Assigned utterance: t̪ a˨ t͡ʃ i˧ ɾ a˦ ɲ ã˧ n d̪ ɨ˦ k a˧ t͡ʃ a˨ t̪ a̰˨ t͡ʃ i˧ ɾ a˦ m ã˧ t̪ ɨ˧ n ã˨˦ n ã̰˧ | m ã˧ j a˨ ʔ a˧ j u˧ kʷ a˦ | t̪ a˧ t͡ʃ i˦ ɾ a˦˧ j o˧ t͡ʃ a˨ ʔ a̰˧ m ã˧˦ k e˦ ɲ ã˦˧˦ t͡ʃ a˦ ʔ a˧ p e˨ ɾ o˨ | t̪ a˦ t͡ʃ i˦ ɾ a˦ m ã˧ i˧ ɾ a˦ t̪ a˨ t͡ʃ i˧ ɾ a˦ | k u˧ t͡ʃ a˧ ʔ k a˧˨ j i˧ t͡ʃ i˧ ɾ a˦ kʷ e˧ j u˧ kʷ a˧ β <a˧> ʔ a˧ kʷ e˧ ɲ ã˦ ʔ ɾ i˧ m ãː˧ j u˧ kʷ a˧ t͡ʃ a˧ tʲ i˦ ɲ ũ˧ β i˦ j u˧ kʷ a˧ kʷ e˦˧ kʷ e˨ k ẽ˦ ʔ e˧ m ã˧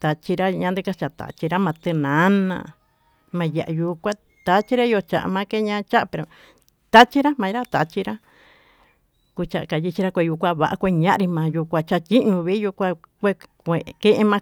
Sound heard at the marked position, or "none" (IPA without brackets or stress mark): a˧